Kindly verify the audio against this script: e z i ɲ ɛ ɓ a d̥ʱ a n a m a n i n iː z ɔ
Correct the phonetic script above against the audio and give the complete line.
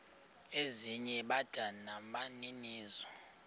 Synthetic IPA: e z i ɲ ɛ ɓ a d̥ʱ a n a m a n i n iː z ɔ